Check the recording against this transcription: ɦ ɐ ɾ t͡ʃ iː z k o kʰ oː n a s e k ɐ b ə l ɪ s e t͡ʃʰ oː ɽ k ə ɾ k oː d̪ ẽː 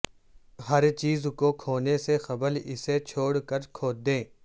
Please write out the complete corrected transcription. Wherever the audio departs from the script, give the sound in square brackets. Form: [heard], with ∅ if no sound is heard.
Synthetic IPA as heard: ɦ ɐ ɾ t͡ʃ iː z k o kʰ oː n [e] s e [x] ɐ b ə l ɪ s e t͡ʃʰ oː ɽ k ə ɾ [kʰ] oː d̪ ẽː

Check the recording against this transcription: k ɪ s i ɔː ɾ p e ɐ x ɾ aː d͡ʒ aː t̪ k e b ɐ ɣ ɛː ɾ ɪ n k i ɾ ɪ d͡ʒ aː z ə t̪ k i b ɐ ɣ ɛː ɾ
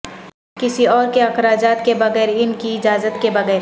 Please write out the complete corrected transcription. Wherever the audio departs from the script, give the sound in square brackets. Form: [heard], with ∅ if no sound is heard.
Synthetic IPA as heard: k ɪ s i ɔː ɾ [k] e ɐ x ɾ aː d͡ʒ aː t̪ k e b ɐ ɣ ɛː ɾ ɪ n k i [∅] ɪ d͡ʒ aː z ə t̪ k [e] b ɐ ɣ ɛː ɾ

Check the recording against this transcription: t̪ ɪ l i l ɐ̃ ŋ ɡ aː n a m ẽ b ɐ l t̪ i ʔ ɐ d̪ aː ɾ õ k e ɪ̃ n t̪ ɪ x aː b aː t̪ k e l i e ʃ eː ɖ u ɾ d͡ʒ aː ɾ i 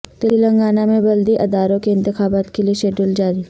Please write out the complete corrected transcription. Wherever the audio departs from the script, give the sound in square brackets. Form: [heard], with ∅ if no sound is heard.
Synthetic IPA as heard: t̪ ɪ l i l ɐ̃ ŋ ɡ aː n a m ẽ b ɐ l [d̪] i ʔ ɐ d̪ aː ɾ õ k e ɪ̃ n t̪ ɪ x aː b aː t̪ k e l i e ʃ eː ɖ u [l] d͡ʒ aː ɾ i

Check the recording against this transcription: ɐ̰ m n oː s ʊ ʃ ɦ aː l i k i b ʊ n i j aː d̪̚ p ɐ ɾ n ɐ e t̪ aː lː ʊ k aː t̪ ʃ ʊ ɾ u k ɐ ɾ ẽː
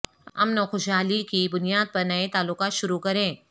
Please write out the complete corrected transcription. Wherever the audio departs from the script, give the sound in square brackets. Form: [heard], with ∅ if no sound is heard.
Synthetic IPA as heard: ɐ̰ m n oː [x] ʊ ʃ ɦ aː l i k i b ʊ n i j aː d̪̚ p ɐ ɾ n ɐ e t̪ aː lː ʊ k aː t̪ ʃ ʊ ɾ u k ɐ ɾ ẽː

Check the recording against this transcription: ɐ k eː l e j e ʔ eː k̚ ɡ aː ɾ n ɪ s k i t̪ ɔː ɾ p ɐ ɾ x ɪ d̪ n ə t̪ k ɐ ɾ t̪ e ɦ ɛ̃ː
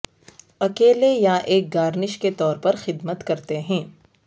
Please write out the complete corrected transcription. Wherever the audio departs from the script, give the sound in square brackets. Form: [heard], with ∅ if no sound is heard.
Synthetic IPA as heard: ɐ k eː l e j [a] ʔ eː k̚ ɡ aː ɾ n ɪ [ʃ] k [e] t̪ ɔː ɾ p ɐ ɾ x ɪ d̪ [m] ə t̪ k ɐ ɾ t̪ e ɦ ɛ̃ː

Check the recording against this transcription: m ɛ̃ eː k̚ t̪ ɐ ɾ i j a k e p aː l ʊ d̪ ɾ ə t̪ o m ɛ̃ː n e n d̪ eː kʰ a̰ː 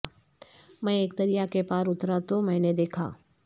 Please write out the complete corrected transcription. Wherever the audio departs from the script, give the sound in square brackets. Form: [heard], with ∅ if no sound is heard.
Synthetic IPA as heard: m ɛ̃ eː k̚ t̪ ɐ ɾ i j a k e p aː [ɾ] ʊ [t̪] ɾ [a] t̪ o m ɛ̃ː n e [∅] d̪ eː kʰ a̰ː

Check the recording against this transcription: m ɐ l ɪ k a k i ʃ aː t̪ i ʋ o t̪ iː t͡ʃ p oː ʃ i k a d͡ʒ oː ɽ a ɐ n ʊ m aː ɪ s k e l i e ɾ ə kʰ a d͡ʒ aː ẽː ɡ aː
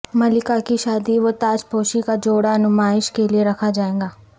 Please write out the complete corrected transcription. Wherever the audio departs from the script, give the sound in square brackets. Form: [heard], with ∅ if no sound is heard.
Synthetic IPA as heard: m ɐ l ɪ k a k i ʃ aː [d̪] i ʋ o t̪ [aː] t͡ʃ p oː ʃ i k a d͡ʒ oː ɽ a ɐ n ʊ m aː ɪ [ʃ] k e l i e ɾ [ɐ] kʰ a d͡ʒ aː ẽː ɡ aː

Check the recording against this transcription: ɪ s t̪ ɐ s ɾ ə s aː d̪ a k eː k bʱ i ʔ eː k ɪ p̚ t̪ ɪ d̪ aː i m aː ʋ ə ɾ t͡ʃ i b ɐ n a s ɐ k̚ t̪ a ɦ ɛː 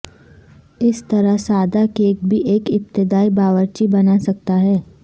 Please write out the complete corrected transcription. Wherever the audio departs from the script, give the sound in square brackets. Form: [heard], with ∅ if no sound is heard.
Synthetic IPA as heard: ɪ s t̪ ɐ [∅] ɾ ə s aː d̪ a k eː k bʱ i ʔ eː k ɪ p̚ t̪ ɪ d̪ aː i [b] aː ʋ ə ɾ t͡ʃ i b ɐ n a s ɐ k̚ t̪ a ɦ ɛː

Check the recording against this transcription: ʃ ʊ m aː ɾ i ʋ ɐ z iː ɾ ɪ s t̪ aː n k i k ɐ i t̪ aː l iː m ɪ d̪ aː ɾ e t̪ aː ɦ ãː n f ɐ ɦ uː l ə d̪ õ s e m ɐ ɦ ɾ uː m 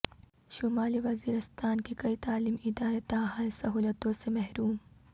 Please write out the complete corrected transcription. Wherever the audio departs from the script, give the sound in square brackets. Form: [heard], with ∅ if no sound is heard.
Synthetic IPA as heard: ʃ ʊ m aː [l] i ʋ ɐ z iː ɾ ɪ s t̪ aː n k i k ɐ i t̪ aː l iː m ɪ d̪ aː ɾ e t̪ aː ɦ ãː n [s] ɐ ɦ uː l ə [t̪] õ s e m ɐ ɦ ɾ uː m

